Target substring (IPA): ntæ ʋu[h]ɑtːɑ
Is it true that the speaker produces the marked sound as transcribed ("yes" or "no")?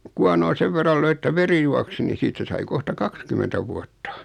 no